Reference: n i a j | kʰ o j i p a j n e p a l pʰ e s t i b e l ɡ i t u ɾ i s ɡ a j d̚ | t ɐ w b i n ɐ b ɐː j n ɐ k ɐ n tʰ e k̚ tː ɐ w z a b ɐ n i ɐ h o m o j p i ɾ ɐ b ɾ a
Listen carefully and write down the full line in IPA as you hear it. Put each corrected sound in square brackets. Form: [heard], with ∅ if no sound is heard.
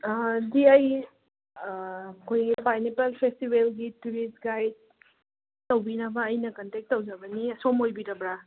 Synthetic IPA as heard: [d] i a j | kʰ o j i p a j n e p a l pʰ e s t i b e l ɡ i t u ɾ i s ɡ a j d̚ | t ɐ w b i n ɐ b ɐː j n ɐ k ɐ n [t] e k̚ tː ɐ w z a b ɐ n i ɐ [s] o m o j [b] i ɾ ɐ b ɾ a